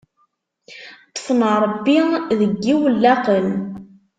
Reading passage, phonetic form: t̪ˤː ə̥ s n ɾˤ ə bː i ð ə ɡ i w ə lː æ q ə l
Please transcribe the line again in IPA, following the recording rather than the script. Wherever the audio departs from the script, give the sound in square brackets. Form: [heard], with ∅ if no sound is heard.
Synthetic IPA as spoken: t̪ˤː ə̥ [f] n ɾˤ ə bː i ð ə [ɡː] i w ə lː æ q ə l